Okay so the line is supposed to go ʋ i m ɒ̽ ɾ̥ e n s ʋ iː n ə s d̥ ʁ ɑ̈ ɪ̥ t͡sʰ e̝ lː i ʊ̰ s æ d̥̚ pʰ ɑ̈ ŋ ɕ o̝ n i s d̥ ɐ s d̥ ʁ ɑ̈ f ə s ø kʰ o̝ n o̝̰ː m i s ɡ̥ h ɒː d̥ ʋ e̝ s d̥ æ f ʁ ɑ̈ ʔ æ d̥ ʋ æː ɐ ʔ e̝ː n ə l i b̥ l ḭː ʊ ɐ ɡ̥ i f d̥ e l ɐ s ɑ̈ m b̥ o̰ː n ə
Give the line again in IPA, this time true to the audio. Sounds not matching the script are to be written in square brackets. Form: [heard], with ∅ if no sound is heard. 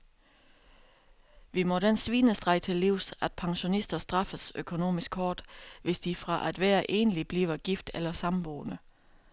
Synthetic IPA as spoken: ʋ i m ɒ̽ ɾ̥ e n s ʋ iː n ə s d̥ ʁ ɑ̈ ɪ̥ t͡sʰ e̝ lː i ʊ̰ s æ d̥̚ pʰ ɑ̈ ŋ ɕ o̝ n i s d̥ ɐ s d̥ ʁ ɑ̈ f ə s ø kʰ o̝ n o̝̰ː m i s ɡ̥ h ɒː d̥ ʋ e̝ s d̥ [i] f ʁ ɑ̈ ʔ æ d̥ ʋ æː ɐ ʔ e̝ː n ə l i b̥ l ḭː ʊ ɐ ɡ̥ i f d̥ e l ɐ s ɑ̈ m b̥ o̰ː n ə